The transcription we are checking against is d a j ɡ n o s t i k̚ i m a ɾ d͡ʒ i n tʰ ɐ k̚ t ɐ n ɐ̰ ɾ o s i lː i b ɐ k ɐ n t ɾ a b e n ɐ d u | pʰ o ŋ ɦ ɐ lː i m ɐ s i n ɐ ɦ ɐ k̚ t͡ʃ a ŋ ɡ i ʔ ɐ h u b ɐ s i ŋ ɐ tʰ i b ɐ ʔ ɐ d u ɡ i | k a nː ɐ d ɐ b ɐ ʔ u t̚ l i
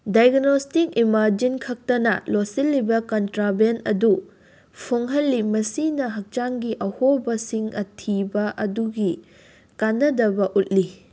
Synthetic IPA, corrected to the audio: d a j ɡ n o s t i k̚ i m a ɾ d͡ʒ i n kʰ ɐ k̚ t ɐ n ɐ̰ l o s i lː i b ɐ k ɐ n t ɾ a b e n ɐ d u | pʰ o ŋ ɦ ɐ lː i m ɐ s i n ɐ ɦ ɐ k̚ t͡ʃ a ŋ ɡ i ʔ ɐ h o b ɐ s i ŋ ɐ tʰ i b ɐ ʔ ɐ d u ɡ i | k a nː ɐ d ɐ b ɐ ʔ u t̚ l i